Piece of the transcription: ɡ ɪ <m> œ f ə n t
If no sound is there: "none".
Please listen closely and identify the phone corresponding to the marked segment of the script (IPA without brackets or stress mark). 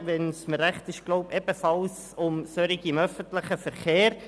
m